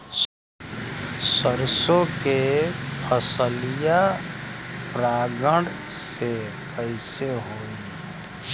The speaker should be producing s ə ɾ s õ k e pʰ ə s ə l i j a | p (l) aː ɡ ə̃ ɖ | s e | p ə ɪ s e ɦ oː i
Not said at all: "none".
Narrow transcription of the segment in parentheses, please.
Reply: ɾ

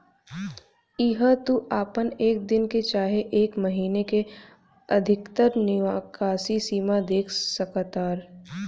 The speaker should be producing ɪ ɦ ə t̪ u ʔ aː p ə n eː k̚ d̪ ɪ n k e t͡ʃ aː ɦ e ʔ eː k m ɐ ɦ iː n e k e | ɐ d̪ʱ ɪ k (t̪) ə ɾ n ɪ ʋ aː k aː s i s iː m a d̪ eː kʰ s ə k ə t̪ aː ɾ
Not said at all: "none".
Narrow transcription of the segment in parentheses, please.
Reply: t̪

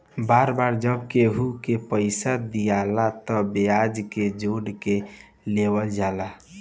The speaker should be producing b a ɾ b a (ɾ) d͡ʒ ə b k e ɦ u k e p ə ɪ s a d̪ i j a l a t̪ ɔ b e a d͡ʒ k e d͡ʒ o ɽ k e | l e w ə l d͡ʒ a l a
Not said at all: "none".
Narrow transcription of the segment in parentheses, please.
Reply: ɾ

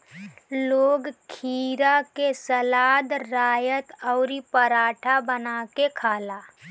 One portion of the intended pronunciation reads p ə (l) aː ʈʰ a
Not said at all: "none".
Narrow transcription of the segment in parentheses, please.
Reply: ɾ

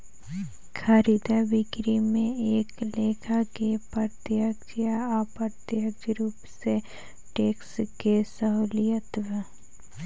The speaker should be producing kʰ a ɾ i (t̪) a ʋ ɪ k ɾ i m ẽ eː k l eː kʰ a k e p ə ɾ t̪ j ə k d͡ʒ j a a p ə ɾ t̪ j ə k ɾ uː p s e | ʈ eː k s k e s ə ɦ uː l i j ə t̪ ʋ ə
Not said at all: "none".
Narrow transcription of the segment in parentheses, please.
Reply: d̪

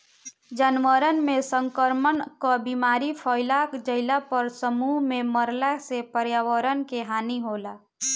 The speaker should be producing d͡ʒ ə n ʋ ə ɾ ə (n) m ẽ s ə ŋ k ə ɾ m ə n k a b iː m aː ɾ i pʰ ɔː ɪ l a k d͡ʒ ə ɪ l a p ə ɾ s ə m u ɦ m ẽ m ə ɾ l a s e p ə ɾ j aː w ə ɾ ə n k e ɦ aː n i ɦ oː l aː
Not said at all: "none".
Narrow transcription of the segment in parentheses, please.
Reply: n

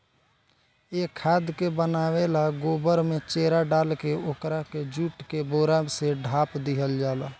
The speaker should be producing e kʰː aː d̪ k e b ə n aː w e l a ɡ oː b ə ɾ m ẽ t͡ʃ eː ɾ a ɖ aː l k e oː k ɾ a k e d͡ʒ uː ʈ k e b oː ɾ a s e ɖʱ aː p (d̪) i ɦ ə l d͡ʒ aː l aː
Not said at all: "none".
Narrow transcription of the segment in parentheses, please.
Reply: d̪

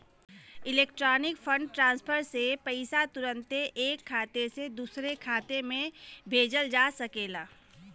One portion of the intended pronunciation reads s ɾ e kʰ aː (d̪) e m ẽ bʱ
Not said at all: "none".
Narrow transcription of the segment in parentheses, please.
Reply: t̪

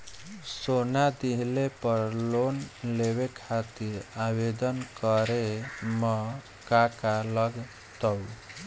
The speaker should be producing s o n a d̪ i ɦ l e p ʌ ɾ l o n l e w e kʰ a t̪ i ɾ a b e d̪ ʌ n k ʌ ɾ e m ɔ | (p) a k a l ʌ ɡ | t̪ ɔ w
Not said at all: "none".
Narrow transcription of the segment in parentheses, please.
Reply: k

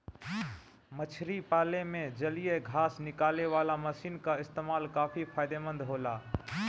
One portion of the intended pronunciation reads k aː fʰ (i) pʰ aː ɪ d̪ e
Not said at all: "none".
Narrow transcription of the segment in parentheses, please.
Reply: i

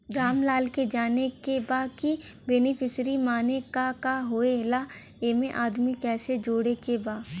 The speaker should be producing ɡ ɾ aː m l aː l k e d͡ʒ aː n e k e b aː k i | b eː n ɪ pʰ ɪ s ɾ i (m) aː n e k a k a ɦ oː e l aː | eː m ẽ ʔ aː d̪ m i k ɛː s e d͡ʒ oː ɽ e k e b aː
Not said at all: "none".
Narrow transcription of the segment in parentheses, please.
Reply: m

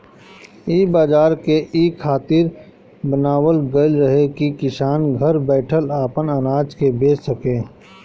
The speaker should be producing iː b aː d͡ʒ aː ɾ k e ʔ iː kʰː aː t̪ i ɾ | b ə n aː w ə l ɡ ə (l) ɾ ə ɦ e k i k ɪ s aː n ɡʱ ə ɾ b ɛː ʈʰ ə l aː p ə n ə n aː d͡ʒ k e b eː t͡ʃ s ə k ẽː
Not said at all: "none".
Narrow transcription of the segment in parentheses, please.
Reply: l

